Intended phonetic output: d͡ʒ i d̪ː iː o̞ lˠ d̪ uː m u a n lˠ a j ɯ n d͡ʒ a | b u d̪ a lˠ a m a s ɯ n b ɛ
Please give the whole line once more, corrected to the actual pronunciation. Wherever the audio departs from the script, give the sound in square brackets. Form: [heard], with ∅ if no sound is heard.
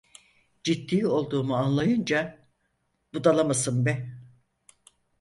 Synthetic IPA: d͡ʒ i [t̪ː] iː o̞ lˠ d̪ uː m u a n lˠ a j ɯ n d͡ʒ a | b u d̪ a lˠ a m a s ɯ n b ɛ